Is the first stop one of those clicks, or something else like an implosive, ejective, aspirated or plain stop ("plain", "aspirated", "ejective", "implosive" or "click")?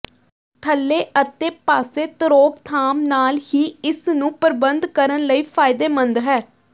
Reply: aspirated